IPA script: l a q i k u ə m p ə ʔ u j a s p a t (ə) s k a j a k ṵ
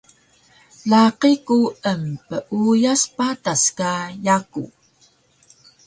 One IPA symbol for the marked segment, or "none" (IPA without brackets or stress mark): a